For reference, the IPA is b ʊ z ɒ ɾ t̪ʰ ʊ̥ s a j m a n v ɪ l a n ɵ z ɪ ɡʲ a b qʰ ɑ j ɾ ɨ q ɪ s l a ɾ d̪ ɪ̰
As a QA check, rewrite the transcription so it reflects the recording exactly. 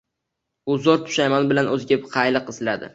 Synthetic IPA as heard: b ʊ z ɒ ɾ t̪ʰ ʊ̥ ʃ a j m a n b ɪ l a n ɵ z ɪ ɡʲ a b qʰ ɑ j l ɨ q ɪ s l a d̪ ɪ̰